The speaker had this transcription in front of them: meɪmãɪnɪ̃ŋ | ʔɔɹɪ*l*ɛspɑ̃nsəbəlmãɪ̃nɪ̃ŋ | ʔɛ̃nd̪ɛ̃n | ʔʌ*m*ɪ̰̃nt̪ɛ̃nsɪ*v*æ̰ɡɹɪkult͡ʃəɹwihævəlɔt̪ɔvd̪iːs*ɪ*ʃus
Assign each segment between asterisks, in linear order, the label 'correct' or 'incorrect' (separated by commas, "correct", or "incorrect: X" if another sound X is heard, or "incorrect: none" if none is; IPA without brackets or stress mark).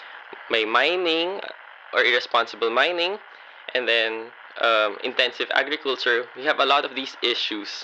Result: incorrect: ɹ, correct, correct, correct